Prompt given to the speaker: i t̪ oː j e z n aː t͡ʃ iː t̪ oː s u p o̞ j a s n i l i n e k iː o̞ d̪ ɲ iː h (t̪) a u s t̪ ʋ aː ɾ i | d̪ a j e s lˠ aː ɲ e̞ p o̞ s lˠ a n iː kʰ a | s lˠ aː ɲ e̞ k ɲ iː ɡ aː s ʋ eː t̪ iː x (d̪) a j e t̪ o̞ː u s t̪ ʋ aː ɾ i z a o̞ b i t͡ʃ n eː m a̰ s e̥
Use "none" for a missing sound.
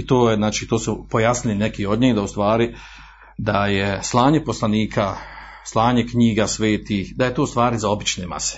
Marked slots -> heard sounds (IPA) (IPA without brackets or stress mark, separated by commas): d̪, d̪